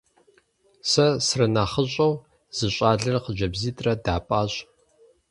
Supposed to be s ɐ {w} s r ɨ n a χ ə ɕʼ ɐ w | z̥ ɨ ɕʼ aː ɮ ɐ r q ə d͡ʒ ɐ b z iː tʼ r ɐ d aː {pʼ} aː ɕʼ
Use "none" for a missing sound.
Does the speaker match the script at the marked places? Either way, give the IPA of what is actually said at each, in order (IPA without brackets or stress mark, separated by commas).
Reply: none, pʼ